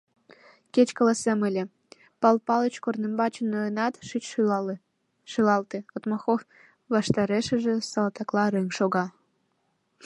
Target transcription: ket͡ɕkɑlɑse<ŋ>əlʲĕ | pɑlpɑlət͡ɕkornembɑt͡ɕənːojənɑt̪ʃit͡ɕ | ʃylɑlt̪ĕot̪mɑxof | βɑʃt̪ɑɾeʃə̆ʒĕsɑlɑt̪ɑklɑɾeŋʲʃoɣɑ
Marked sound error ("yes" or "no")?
yes